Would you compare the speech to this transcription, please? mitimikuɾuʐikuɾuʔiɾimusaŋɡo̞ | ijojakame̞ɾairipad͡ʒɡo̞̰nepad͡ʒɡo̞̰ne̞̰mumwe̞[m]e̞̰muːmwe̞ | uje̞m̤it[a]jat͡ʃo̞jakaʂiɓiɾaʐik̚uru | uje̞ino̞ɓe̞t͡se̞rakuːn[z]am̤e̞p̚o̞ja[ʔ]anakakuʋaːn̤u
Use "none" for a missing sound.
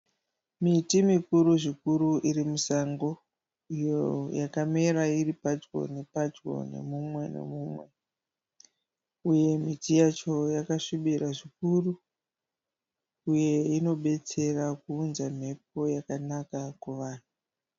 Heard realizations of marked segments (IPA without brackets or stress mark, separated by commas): n, i, z, k